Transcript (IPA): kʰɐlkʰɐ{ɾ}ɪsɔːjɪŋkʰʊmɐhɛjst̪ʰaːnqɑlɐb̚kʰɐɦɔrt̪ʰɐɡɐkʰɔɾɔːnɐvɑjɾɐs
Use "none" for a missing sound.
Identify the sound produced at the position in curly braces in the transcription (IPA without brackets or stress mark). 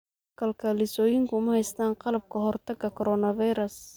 l